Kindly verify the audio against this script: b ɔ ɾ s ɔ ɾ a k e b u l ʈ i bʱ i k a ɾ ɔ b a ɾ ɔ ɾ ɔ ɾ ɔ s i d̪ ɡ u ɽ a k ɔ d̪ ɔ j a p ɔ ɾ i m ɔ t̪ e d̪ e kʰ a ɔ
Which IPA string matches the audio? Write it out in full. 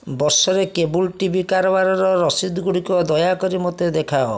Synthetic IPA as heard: b ɔ ɾ s ɔ ɾ e k e b u l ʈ i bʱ i k a ɾ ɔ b a ɾ ɔ ɾ ɔ ɾ ɔ s i d̪ ɡ u ɽ i k ɔ d̪ ɔ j a k ɔ ɾ i m ɔ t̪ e d̪ e kʰ a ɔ